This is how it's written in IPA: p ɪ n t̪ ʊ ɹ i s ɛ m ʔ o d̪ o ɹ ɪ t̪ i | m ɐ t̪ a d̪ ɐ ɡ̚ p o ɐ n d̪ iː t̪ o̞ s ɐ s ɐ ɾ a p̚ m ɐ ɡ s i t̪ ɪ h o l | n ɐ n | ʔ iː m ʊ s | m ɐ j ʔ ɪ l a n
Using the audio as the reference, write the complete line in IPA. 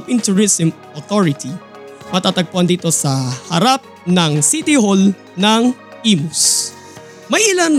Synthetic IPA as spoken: p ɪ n t̪ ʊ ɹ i s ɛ m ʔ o t̪ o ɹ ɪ t̪ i | m ɐ t̪ a t̪ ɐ ɡ̚ p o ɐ n d̪ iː t̪ o̞ s ɐ h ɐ ɾ a p̚ n ɐ ŋ s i t̪ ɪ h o l | n ɐ ŋ | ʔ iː m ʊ s | m ɐ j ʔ ɪ l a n